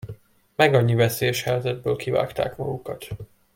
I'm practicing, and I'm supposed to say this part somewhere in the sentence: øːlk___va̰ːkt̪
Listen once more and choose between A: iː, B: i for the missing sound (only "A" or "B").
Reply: B